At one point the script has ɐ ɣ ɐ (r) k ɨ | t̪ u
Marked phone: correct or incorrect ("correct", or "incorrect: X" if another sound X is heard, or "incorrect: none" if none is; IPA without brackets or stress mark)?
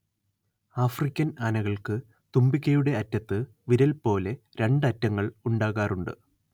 incorrect: ɭ